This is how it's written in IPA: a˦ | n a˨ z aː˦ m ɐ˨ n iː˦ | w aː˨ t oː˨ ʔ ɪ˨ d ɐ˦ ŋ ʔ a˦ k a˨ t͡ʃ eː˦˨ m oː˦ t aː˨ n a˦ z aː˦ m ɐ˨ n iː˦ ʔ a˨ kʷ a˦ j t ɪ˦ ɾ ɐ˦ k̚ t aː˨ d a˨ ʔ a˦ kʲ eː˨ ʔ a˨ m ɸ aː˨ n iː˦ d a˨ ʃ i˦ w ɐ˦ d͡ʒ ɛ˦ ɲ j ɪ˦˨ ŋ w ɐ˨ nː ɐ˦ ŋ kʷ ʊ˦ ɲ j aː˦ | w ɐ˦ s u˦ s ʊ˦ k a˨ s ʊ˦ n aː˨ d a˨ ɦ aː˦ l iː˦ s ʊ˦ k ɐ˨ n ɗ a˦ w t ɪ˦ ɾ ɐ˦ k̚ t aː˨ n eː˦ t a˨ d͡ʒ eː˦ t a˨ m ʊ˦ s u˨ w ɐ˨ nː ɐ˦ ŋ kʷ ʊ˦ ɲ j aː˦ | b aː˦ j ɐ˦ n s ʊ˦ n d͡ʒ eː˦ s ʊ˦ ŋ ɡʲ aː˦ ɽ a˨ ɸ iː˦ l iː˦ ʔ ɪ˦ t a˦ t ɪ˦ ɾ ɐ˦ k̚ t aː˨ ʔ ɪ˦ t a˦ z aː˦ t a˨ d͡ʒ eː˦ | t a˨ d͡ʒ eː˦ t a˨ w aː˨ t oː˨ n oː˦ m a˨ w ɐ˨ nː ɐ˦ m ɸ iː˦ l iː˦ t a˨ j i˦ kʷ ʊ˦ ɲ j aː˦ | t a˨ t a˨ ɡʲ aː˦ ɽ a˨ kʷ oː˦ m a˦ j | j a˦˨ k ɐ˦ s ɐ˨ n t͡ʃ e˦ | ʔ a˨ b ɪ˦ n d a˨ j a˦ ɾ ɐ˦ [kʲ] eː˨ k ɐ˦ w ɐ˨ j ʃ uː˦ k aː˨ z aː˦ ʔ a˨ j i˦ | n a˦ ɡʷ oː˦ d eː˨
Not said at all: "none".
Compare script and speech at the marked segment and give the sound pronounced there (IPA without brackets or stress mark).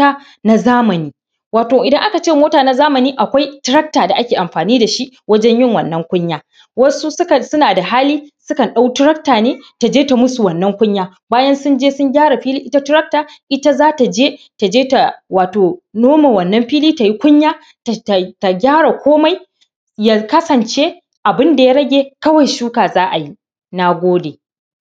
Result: ɡʲ